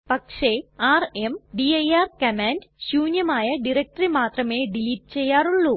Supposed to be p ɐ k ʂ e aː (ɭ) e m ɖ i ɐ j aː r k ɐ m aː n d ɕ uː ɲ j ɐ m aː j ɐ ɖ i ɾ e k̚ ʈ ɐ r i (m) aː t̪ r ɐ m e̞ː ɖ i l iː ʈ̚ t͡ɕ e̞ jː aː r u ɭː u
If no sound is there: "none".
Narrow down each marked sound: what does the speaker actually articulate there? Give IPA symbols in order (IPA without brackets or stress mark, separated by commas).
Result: r, m